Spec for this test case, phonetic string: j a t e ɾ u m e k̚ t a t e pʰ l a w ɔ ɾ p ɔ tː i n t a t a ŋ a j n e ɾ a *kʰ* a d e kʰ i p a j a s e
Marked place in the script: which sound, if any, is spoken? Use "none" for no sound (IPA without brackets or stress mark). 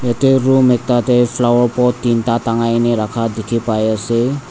kʰ